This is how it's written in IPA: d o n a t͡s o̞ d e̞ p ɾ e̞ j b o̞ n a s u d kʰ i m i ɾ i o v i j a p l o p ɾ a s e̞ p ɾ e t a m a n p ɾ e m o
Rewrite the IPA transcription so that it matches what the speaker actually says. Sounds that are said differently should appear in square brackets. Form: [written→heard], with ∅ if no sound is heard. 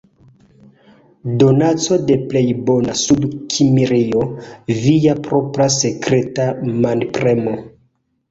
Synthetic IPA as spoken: d o n a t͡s o̞ d e̞ p [ɾ→l] e̞ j b o̞ n a s u d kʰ i m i ɾ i o v i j a p [l→ɾ] o p ɾ a s e̞ [p→k] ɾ e t a m a n p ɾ e m o